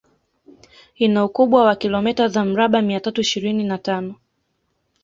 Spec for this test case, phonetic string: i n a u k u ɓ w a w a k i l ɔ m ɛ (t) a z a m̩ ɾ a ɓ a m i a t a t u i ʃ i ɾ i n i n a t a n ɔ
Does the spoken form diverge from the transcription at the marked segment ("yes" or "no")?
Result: no